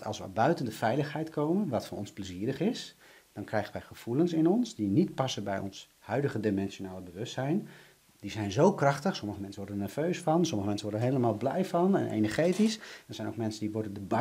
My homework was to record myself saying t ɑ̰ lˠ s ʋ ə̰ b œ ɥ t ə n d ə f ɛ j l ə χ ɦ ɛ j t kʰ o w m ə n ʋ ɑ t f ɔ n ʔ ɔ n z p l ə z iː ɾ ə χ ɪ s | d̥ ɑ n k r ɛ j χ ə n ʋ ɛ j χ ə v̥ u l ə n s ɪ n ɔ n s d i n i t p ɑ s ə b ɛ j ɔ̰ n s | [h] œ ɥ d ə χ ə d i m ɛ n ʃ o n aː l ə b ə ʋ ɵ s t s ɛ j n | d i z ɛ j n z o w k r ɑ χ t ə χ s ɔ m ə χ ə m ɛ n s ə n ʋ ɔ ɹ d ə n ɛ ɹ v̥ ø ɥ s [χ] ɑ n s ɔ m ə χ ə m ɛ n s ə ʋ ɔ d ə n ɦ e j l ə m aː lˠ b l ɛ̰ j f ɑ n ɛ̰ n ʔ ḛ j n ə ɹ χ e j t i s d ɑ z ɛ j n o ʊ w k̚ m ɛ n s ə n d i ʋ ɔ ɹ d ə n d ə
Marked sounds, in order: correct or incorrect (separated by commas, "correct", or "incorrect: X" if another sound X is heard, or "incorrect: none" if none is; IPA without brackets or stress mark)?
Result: correct, incorrect: f